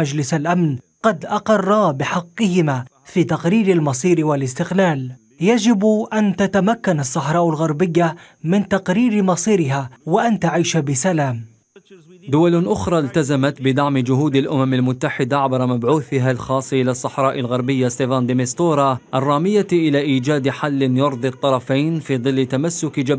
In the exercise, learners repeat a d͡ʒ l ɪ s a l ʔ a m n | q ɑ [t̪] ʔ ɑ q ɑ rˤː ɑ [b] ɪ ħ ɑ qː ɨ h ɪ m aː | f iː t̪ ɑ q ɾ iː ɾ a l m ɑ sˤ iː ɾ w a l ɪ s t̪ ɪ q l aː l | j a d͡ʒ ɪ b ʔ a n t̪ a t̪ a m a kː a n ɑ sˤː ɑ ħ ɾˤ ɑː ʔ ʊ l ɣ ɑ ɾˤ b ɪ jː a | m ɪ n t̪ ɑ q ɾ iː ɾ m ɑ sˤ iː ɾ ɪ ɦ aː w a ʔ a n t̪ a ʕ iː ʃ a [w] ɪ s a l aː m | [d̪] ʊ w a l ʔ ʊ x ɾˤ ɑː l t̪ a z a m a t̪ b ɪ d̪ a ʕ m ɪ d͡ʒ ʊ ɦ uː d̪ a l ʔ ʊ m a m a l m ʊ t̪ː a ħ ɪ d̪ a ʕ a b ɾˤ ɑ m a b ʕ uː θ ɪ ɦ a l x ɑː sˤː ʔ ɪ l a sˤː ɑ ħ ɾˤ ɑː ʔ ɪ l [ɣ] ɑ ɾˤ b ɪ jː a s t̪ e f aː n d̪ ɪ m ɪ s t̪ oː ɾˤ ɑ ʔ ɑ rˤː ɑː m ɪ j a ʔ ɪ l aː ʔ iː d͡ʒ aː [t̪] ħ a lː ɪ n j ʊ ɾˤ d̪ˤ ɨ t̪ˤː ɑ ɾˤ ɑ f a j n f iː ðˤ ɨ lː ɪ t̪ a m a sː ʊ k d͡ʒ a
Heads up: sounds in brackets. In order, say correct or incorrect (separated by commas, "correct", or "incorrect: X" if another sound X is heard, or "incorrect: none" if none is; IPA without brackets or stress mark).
incorrect: d̪, correct, incorrect: b, correct, correct, incorrect: d̪